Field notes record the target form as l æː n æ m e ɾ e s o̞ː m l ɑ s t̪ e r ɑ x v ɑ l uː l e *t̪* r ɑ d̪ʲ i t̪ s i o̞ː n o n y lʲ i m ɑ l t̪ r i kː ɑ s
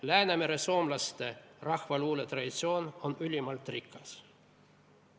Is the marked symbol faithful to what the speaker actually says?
yes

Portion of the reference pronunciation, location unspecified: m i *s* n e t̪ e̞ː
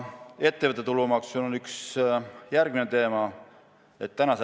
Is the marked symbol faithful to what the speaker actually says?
no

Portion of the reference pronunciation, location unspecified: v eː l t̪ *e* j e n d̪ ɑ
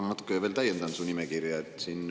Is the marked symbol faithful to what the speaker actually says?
no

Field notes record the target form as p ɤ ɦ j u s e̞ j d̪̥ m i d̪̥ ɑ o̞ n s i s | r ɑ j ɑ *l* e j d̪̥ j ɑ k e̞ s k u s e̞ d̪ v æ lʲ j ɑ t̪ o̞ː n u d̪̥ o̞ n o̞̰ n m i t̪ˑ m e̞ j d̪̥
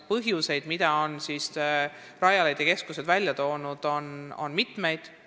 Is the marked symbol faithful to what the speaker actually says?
yes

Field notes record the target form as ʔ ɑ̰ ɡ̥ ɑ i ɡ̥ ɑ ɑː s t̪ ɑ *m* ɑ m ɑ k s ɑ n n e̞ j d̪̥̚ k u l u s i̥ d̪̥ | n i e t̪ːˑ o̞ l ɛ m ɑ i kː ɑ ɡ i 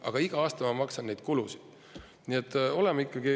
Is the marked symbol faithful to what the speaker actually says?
yes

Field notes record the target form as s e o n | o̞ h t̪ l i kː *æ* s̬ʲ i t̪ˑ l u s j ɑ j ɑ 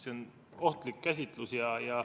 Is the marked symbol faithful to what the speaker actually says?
yes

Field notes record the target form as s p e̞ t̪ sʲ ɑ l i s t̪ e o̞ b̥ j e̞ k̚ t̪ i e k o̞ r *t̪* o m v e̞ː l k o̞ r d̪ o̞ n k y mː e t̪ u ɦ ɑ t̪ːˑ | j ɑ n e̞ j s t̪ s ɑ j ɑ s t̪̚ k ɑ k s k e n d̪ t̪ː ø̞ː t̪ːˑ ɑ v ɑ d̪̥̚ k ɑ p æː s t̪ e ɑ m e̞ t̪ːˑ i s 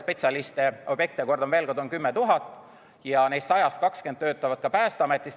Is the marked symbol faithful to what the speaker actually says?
no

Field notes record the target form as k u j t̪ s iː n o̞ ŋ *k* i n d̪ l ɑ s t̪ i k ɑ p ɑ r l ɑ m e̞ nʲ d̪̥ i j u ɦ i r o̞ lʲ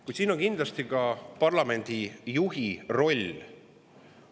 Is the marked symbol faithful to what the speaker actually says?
yes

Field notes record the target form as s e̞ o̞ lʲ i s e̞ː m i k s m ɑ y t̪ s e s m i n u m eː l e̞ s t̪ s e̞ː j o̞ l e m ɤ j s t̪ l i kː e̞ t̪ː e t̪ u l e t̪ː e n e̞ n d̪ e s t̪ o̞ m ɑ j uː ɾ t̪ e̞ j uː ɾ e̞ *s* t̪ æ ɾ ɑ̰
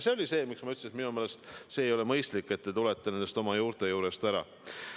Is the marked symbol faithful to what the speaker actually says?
yes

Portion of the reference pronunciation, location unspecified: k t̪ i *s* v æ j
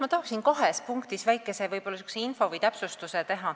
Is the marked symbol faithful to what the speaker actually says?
yes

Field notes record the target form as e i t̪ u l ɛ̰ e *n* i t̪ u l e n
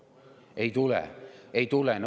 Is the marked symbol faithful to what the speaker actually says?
no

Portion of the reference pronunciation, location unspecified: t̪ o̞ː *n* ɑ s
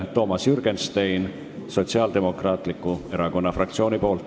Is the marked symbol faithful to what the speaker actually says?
no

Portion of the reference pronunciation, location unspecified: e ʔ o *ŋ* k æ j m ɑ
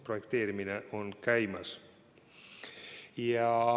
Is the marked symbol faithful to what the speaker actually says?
no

